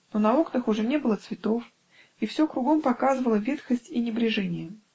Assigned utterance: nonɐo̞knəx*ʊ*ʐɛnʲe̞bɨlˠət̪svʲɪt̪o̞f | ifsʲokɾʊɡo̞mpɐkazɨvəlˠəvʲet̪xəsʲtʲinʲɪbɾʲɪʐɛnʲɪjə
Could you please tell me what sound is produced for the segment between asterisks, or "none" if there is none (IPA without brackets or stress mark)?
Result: ʊ